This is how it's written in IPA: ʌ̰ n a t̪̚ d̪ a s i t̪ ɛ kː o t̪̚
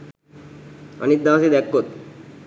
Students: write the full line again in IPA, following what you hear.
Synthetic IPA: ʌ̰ n i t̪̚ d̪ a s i d̪ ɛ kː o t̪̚